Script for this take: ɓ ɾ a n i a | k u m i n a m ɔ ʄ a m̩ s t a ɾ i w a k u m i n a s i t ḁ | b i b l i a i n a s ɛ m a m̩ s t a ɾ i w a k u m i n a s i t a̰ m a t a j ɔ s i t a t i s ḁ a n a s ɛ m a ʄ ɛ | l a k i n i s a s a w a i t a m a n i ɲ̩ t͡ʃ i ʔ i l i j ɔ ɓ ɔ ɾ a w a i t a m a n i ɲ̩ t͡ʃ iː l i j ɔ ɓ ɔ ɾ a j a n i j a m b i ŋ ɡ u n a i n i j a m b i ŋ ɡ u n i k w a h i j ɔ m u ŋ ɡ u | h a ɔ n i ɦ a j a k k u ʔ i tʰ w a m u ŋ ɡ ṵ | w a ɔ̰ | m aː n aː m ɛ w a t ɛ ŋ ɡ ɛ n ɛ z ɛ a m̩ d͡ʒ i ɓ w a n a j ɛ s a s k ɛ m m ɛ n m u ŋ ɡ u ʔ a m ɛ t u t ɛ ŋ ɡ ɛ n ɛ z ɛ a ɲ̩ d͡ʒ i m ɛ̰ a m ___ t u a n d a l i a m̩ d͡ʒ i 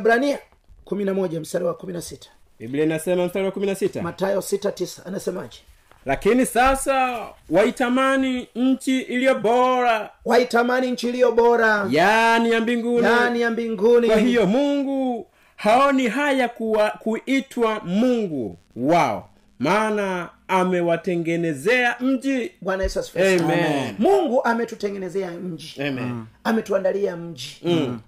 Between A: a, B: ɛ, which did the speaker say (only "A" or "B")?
B